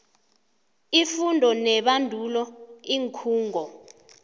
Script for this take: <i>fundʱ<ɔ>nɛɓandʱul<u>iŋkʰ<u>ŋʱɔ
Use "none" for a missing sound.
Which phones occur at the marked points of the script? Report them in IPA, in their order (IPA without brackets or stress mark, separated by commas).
i, ɔ, ɔ, uː